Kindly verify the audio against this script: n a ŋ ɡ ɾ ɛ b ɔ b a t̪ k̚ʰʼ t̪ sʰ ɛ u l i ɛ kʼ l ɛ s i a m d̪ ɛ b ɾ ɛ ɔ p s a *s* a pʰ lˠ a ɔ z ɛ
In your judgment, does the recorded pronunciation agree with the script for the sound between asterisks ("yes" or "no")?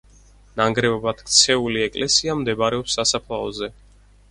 yes